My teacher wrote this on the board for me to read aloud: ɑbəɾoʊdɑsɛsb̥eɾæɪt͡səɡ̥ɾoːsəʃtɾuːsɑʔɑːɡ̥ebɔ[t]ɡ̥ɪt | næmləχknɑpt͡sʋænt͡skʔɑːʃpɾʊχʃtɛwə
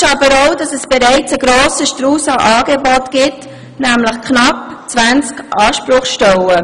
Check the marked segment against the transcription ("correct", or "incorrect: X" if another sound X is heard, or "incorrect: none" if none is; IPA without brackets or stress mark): correct